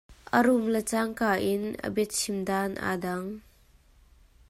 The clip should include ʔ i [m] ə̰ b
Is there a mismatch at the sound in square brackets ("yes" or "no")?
yes